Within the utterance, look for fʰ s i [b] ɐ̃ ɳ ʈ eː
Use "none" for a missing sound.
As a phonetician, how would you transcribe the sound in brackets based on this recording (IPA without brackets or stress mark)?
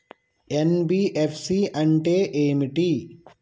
none